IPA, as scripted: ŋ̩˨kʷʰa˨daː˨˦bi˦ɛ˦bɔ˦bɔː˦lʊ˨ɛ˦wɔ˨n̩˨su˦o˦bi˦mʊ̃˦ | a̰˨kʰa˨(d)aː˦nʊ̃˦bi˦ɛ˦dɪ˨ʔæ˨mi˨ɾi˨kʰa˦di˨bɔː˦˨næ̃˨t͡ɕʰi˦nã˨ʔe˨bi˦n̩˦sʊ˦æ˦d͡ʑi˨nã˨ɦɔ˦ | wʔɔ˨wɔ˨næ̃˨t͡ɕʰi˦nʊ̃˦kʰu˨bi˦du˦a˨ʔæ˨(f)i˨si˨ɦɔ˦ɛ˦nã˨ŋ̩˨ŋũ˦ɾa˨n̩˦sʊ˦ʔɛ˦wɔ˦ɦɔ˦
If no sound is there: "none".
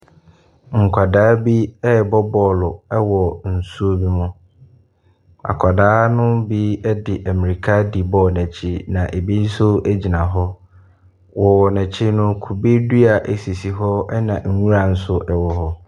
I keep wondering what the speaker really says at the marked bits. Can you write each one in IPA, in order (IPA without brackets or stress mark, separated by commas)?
d, s